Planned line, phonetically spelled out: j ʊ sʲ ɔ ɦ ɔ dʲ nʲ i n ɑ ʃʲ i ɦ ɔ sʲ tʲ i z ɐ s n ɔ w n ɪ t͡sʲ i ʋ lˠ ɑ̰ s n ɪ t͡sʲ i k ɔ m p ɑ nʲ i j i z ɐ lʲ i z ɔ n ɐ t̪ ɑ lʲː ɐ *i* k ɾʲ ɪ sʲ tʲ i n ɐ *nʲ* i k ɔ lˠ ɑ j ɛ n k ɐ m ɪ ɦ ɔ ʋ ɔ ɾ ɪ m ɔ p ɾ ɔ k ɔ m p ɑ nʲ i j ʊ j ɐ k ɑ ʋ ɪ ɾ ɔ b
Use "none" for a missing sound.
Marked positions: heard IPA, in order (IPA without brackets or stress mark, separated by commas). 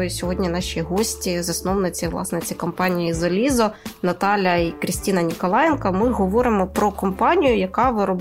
i, nʲ